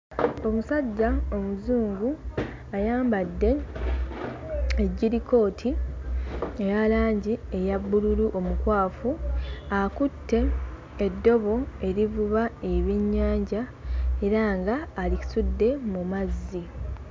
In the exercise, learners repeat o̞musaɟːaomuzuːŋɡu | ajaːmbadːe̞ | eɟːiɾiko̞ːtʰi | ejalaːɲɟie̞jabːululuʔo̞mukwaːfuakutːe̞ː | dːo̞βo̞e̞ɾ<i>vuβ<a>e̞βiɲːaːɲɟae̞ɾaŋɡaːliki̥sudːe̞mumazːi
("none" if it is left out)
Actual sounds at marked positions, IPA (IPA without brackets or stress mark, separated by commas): i, a